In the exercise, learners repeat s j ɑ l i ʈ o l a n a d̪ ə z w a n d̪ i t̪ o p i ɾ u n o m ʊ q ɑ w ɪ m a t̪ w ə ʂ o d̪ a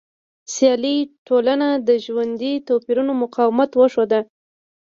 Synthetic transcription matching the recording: s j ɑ l i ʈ o l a n a d̪ ə ʒ w a n d̪ i t̪ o p i ɾ u n o m ʊ q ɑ w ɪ m a t̪ w ə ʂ o d̪ a